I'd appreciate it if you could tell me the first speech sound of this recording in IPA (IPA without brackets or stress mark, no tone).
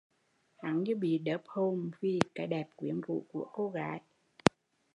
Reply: h